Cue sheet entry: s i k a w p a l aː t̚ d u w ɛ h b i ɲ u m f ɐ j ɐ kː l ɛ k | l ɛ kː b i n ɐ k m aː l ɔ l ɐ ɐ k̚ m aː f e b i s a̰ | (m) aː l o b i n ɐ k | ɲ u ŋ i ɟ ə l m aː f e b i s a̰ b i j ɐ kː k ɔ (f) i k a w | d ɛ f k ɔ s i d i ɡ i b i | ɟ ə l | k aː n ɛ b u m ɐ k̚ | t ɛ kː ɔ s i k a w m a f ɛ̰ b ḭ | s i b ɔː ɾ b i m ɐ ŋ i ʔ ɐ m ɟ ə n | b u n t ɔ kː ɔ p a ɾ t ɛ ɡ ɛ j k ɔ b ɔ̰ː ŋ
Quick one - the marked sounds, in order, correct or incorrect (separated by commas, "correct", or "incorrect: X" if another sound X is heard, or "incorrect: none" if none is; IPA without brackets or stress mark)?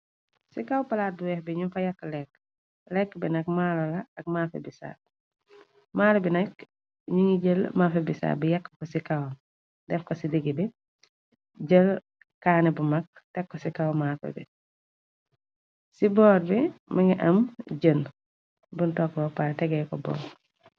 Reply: correct, incorrect: s